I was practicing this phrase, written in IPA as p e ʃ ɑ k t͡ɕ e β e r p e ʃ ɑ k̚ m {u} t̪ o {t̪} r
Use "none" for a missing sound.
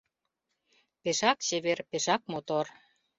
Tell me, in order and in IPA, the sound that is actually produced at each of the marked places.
o, none

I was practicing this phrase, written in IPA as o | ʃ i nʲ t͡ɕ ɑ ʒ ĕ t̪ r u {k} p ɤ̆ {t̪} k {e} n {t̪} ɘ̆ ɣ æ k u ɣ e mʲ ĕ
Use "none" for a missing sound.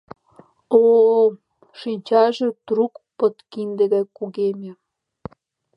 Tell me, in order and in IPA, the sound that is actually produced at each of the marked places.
k, t̪, i, d̪

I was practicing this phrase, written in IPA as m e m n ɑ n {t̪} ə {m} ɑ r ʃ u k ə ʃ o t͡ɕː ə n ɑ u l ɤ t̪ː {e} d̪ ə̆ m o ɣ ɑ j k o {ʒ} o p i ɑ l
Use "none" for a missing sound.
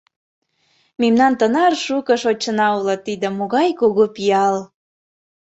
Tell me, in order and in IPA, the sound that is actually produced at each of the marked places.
t̪, n, i, ɣ

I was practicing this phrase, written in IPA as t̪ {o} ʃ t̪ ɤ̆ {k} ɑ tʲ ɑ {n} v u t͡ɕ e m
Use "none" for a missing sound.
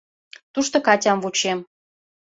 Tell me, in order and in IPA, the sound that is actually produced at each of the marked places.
u, k, m

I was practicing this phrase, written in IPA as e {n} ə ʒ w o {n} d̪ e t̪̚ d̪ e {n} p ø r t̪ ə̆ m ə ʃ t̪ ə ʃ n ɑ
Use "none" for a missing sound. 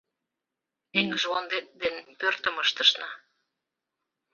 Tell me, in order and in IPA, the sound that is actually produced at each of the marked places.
ŋ, n, n

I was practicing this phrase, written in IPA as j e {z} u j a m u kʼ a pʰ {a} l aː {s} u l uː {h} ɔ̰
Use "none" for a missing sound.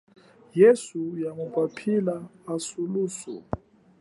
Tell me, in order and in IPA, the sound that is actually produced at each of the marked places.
s, i, s, s

